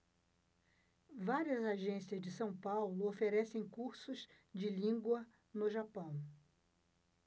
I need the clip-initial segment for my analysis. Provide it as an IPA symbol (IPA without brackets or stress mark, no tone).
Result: v